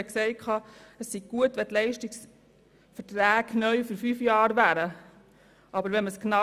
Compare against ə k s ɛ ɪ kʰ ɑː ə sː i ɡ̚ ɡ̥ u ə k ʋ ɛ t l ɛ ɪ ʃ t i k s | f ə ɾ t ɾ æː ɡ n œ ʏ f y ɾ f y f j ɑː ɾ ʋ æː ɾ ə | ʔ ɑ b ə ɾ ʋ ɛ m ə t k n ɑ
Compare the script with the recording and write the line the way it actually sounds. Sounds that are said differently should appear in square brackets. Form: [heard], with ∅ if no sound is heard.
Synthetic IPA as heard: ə k s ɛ ɪ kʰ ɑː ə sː i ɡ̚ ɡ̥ u ə [t] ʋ ɛ t l ɛ ɪ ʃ t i k s | f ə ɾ t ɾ æː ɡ n œ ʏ f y ɾ f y f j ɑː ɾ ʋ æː ɾ ə | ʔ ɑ b ə ɾ ʋ ɛ m ə [s] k n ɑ